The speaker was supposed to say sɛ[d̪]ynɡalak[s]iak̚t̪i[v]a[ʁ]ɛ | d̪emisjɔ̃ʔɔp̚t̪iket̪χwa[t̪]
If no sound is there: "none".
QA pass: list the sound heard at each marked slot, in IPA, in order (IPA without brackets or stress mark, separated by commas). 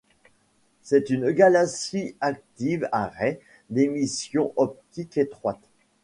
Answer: t̪, s, v, ʁ, t̪